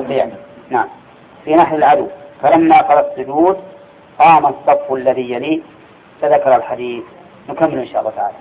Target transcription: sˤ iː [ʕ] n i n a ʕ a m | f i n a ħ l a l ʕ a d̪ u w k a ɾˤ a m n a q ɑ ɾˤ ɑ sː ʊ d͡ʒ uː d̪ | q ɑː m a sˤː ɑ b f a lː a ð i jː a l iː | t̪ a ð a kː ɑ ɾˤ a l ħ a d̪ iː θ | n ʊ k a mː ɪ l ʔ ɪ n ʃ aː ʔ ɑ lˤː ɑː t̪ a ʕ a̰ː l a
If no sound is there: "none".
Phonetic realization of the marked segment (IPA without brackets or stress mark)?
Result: ʕ